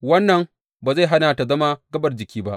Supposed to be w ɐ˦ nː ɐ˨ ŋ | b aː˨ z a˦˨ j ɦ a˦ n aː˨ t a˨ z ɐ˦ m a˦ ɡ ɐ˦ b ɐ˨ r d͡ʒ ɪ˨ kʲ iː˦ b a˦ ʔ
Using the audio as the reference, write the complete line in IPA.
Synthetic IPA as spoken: w ɐ˦ nː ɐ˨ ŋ | b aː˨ z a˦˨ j ɦ a˦ n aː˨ t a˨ z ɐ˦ m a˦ ɡ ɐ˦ b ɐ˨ r d͡ʒ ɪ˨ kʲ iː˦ b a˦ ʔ